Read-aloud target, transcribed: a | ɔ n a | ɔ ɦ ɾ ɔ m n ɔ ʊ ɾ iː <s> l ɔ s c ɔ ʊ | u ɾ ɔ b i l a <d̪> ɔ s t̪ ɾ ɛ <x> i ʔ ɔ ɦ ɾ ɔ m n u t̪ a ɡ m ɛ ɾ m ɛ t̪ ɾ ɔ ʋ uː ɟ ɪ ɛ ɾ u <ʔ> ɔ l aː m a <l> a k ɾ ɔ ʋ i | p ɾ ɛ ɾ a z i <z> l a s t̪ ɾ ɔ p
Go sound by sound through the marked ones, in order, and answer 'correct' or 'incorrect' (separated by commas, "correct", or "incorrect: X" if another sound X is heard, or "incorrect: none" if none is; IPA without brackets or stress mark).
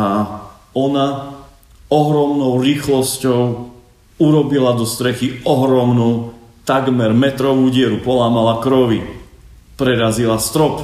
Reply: incorrect: x, correct, correct, incorrect: p, correct, incorrect: none